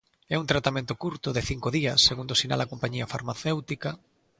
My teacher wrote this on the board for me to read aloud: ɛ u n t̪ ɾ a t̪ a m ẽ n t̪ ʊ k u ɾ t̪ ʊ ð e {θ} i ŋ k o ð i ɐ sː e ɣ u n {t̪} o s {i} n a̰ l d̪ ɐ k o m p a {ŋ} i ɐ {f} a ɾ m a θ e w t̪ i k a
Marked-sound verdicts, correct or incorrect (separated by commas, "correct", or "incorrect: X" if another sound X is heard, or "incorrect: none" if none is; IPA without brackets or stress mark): correct, incorrect: d̪, correct, incorrect: ɲ, correct